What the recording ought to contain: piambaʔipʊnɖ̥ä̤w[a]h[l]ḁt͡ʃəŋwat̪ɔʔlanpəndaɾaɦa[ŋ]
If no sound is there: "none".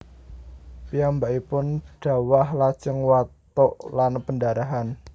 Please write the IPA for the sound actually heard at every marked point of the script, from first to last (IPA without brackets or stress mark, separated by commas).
a, l, n